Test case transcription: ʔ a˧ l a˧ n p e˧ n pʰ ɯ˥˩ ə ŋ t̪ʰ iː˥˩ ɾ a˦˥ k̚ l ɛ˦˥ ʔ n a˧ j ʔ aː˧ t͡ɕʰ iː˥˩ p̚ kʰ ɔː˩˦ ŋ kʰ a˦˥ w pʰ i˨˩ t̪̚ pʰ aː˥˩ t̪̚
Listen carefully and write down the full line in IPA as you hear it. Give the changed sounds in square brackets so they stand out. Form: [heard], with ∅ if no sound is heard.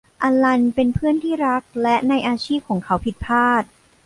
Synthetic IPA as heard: ʔ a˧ l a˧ n p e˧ n pʰ ɯ˥˩ ə [n] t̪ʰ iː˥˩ ɾ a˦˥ k̚ l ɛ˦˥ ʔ n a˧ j ʔ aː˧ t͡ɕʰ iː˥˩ p̚ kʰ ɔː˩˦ ŋ kʰ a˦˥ w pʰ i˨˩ t̪̚ pʰ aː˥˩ t̪̚